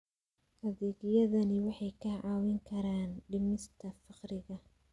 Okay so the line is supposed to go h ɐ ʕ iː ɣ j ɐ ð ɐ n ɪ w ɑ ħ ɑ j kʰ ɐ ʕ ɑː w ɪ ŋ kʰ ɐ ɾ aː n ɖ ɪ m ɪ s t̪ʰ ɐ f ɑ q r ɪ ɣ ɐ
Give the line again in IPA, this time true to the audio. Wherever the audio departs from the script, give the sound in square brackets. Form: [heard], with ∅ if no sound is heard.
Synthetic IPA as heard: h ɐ [ð] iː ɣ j ɐ ð ɐ n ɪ w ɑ ħ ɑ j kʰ ɐ ʕ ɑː w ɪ ŋ kʰ ɐ ɾ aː n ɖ ɪ m ɪ s t̪ʰ ɐ f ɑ q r ɪ ɣ ɐ